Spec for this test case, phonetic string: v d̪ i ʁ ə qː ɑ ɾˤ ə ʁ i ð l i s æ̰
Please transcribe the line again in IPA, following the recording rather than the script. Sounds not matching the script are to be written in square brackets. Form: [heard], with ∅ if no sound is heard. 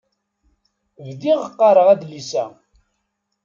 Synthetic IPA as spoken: v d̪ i ʁ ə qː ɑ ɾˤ ə ʁ [æ] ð l i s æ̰